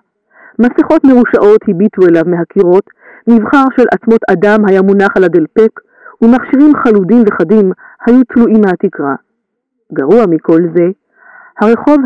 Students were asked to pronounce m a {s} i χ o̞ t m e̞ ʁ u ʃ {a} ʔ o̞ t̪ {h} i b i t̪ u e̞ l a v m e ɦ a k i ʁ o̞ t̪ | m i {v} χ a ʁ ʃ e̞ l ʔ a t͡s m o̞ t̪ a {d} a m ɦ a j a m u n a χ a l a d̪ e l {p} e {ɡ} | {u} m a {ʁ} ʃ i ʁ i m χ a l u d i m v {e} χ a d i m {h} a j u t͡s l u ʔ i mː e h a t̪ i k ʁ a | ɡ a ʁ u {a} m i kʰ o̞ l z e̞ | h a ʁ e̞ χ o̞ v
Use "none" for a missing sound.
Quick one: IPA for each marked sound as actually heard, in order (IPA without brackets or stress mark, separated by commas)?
s, a, h, v, d, p, k, u, χ, e, h, a